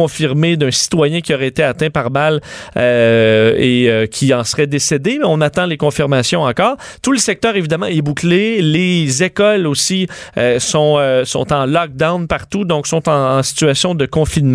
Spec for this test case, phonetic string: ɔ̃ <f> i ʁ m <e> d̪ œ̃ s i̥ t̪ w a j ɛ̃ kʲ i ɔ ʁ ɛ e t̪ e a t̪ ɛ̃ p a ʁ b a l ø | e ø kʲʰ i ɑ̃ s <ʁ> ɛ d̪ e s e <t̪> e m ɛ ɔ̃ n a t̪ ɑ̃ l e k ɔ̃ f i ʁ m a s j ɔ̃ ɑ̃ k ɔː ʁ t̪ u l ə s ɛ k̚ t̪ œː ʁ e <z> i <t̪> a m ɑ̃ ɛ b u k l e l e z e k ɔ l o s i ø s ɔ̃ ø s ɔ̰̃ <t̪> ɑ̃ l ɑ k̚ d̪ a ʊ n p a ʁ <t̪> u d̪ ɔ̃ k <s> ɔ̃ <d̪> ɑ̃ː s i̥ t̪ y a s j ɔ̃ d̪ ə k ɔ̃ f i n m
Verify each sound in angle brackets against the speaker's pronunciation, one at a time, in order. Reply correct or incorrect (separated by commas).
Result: correct, correct, correct, incorrect, incorrect, incorrect, correct, correct, correct, incorrect